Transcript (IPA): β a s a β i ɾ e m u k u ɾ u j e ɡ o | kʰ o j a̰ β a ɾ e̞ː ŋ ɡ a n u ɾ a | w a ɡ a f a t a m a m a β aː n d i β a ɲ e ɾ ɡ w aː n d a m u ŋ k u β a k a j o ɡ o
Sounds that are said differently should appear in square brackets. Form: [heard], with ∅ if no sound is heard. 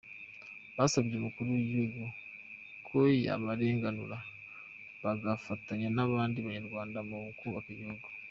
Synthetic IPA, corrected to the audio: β a s a β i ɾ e m u k u ɾ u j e ɡ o | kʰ o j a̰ β a ɾ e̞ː ŋ ɡ a n u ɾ a | [β] a ɡ a f a t a [ɲ] a [n] a β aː n d i β a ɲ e ɾ ɡ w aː n d a m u ŋ k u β a k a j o ɡ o